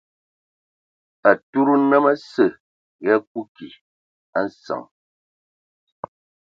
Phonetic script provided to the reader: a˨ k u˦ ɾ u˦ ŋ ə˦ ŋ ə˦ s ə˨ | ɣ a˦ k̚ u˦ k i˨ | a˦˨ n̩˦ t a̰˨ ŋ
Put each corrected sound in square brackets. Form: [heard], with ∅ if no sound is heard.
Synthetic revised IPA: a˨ [t] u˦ ɾ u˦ [n] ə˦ [m] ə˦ s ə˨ | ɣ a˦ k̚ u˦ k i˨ | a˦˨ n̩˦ [s] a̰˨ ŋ

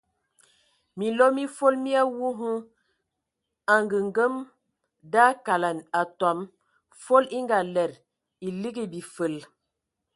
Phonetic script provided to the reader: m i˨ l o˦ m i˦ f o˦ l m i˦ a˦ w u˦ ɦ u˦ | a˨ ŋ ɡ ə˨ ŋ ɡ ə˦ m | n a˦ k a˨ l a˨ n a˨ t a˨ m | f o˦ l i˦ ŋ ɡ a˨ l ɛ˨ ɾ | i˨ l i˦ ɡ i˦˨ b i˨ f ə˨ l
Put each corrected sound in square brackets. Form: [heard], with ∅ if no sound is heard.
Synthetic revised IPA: m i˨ l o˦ m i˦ f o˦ l m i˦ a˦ w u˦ ɦ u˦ | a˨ ŋ ɡ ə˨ ŋ ɡ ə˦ m | [d] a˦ k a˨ l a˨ n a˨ t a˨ m | f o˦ l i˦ ŋ ɡ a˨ l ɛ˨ ɾ | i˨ l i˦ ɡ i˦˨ b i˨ f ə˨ l

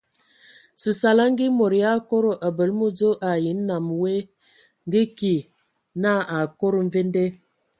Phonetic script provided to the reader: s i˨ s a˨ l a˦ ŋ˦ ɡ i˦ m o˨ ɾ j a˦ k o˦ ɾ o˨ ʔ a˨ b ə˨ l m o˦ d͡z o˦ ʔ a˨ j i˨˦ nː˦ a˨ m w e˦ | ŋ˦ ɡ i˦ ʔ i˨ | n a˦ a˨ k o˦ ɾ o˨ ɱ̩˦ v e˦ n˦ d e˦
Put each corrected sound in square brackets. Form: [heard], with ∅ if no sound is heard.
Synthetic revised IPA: s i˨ s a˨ l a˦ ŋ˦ ɡ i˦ m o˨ ɾ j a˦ k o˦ ɾ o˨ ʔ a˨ b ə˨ l m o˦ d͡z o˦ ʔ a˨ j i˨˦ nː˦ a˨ m w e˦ | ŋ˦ ɡ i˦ [k] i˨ | n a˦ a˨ k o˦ ɾ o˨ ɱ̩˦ v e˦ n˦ d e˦

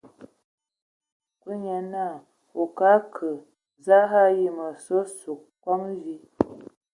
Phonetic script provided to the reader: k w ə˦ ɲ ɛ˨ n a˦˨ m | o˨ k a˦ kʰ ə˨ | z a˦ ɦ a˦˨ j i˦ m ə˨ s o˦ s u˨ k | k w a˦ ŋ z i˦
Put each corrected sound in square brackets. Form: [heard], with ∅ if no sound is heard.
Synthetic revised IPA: k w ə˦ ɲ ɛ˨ n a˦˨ [∅] | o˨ k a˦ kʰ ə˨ | z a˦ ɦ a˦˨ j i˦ m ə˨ s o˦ s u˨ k | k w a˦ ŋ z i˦

